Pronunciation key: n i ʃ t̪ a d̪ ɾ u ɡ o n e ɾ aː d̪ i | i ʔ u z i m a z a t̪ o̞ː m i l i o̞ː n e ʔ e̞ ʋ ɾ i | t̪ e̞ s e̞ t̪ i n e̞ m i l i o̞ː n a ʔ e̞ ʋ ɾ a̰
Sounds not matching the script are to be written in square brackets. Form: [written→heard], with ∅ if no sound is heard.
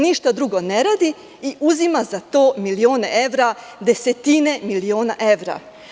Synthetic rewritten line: n i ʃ t̪ a d̪ ɾ u ɡ o n e ɾ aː d̪ i | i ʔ u z i m a z a t̪ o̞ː m i l i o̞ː n e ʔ e̞ ʋ ɾ [i→a] | [t̪→d̪] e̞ s e̞ t̪ i n e̞ m i l i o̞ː n a ʔ e̞ ʋ ɾ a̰